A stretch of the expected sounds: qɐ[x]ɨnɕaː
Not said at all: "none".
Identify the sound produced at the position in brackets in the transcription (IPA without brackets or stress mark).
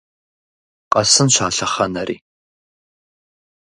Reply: s